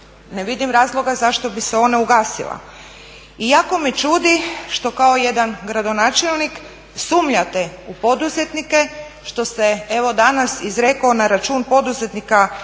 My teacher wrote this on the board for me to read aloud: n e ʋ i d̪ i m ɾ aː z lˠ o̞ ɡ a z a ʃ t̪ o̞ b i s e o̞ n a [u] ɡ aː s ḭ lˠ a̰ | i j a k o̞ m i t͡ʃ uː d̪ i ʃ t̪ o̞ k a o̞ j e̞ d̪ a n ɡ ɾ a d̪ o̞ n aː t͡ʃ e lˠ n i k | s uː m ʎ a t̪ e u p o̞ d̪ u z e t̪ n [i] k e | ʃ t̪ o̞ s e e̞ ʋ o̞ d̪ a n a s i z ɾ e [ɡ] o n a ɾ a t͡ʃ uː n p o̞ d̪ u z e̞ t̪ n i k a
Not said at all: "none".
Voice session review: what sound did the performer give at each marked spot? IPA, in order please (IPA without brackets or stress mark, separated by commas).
u, i, k